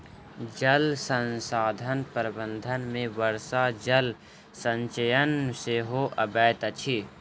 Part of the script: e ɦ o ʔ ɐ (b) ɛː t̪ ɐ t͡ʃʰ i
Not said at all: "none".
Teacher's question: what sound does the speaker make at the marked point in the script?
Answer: b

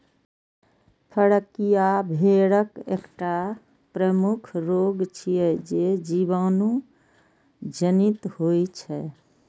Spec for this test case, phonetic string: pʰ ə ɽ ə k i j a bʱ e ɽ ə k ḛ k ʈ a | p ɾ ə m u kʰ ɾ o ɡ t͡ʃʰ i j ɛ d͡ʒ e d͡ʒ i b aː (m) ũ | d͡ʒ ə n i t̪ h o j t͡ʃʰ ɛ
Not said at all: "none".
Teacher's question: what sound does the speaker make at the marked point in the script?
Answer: n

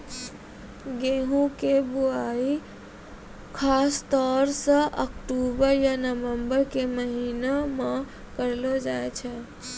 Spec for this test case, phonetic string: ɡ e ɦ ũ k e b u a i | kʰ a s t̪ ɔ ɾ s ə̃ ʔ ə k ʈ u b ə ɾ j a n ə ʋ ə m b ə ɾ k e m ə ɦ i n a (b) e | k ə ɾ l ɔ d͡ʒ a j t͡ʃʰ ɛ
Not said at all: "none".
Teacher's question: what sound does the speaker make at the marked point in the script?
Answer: m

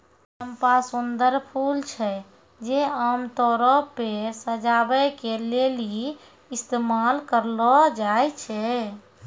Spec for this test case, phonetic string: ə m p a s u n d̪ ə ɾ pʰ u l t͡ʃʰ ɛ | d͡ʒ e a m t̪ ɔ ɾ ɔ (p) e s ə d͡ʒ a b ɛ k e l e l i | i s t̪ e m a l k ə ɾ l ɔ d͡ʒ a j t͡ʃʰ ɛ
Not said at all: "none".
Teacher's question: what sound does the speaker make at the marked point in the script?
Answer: p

